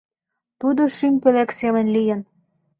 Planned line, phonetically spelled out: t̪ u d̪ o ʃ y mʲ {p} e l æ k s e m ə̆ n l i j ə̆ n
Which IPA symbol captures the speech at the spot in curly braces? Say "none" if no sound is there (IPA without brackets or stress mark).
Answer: p